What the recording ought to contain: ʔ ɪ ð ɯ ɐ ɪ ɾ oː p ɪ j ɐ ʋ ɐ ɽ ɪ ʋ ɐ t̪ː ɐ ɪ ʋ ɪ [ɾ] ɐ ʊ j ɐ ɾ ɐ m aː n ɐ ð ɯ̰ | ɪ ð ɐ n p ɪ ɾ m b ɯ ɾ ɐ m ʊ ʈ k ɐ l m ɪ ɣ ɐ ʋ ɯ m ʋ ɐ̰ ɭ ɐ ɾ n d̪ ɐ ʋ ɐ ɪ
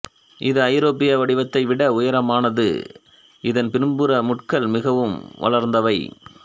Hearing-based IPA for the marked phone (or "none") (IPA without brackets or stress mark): ɽ